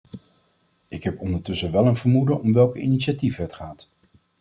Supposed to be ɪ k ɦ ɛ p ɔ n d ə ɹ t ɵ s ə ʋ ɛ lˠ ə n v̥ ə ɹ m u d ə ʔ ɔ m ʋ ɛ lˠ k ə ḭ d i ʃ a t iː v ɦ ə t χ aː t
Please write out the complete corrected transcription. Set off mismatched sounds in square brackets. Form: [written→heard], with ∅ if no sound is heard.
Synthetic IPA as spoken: ɪ k ɦ ɛ p ɔ n d ə ɹ t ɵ s ə ʋ ɛ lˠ ə n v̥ ə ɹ m u d ə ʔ ɔ m ʋ ɛ lˠ k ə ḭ [d→n] i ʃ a t [iː→i] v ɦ ə t χ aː t